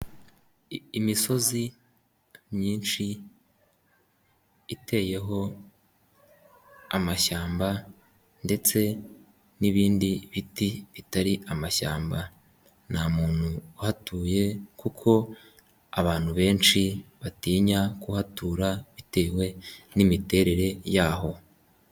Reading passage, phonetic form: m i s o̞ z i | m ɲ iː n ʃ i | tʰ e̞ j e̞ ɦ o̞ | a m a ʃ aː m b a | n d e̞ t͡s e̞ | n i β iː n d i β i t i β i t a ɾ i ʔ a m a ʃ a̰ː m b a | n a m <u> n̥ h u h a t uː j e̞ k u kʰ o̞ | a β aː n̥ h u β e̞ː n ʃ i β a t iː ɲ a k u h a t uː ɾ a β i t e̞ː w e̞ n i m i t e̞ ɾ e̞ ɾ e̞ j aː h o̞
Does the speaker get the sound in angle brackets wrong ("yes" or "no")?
yes